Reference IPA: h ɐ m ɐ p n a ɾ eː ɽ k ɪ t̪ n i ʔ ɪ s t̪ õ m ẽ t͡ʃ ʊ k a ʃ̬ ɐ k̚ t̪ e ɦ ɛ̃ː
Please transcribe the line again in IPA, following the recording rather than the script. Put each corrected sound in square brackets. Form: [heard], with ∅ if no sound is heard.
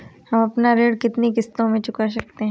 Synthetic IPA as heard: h ɐ m ɐ p n a ɾ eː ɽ k ɪ t̪ n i [k] ɪ s t̪ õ m ẽ t͡ʃ ʊ k a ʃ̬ ɐ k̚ t̪ e ɦ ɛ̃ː